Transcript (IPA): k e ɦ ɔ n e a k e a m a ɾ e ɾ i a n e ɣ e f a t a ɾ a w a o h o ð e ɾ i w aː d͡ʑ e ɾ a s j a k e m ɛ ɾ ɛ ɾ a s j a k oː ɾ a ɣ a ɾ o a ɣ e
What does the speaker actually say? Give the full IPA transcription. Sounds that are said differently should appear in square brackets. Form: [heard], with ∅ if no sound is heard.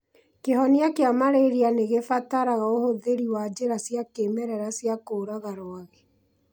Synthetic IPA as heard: k e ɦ ɔ n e a k e a m a ɾ e ɾ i a n e ɣ e f a t a ɾ a [ɣ] a o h o ð e ɾ i w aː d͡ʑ e ɾ a s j a k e m ɛ ɾ ɛ ɾ a s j a k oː ɾ a ɣ a ɾ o a ɣ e